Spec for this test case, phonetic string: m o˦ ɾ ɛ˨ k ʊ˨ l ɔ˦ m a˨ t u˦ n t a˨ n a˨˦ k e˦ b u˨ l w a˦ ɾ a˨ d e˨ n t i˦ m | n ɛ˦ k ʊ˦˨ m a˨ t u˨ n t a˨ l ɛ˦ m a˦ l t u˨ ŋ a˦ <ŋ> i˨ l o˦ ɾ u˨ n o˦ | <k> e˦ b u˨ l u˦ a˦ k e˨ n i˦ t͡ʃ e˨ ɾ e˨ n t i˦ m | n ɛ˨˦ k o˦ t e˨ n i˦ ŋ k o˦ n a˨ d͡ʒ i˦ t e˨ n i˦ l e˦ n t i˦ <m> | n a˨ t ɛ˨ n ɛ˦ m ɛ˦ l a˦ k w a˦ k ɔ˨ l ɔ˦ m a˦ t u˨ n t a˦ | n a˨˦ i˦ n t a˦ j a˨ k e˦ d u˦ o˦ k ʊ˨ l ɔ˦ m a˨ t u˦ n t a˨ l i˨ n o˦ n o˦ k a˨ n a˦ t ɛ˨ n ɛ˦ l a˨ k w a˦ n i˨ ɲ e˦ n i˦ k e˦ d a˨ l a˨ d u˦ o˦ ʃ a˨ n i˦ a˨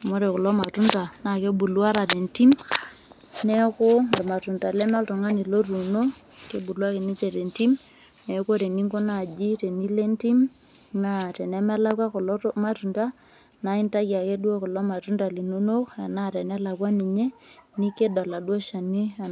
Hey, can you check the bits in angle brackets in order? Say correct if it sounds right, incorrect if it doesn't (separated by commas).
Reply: incorrect, correct, correct